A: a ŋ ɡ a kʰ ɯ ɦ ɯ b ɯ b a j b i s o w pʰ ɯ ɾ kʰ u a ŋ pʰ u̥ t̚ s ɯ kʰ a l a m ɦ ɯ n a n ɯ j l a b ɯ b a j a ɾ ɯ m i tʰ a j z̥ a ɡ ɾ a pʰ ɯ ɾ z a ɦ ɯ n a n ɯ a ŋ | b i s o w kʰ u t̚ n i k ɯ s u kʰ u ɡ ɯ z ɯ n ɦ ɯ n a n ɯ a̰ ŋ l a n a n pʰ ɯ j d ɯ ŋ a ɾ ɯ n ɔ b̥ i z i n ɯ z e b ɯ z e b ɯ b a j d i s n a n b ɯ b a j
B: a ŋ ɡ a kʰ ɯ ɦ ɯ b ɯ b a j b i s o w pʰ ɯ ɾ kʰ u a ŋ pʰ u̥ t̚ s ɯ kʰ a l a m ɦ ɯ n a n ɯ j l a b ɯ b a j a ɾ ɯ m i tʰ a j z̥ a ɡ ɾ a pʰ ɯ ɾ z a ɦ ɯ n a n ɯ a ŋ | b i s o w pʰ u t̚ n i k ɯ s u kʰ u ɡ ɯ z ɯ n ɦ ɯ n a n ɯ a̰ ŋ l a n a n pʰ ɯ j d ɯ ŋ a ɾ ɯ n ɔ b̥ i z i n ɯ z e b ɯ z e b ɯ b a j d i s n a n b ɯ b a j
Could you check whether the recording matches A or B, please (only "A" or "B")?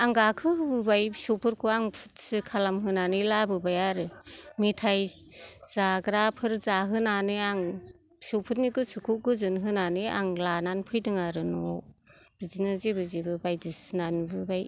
B